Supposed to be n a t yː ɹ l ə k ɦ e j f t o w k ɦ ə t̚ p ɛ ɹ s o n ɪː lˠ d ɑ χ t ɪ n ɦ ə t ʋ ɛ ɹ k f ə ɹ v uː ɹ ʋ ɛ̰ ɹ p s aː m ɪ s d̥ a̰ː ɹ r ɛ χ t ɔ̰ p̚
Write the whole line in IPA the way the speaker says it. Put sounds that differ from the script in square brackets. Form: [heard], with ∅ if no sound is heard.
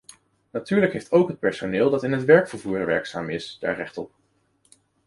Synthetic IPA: n a t yː ɹ l ə k ɦ e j f t o w k ɦ ə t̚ p ɛ ɹ s o n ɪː lˠ d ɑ [∅] t ɪ n ɦ ə t ʋ ɛ ɹ k f ə ɹ v uː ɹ ʋ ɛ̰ ɹ [k] s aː m ɪ s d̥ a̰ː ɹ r ɛ χ t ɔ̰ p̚